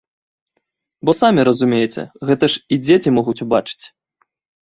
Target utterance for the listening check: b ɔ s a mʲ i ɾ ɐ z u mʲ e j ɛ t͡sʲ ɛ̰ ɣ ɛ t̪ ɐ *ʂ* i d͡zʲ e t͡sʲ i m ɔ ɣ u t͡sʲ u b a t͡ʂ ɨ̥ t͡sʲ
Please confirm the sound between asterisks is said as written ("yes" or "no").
yes